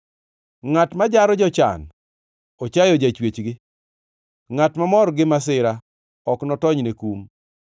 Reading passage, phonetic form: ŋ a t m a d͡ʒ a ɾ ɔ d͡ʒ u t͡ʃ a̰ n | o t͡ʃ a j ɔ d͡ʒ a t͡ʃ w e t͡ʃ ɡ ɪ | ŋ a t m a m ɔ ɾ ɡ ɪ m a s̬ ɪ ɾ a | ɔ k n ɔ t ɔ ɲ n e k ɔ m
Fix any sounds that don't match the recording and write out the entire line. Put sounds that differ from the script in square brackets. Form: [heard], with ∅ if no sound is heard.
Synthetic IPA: ŋ a t m a d͡ʒ a ɾ ɔ d͡ʒ [ɔ] t͡ʃ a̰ n | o t͡ʃ a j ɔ d͡ʒ a t͡ʃ w e t͡ʃ ɡ ɪ | ŋ a t m a m ɔ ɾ ɡ ɪ m a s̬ ɪ ɾ a | ɔ k n ɔ t ɔ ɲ n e k [u] m